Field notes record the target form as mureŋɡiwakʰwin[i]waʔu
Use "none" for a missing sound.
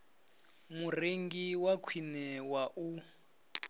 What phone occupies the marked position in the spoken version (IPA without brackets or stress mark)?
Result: ɛ